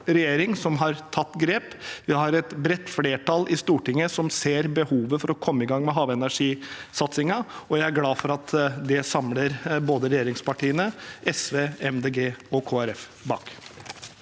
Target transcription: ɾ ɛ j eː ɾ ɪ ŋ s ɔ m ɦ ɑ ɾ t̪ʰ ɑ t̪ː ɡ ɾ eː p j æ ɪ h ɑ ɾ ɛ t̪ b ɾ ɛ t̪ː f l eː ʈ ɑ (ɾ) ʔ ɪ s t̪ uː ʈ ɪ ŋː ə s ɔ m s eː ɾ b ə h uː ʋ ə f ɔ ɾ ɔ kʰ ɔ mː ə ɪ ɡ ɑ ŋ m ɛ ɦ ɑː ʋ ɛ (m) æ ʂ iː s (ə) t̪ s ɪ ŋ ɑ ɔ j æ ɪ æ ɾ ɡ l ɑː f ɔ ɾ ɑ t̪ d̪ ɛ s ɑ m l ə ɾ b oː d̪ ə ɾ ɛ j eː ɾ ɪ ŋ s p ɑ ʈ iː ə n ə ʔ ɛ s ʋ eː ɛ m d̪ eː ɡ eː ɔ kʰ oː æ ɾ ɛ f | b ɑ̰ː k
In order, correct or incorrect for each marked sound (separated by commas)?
incorrect, incorrect, incorrect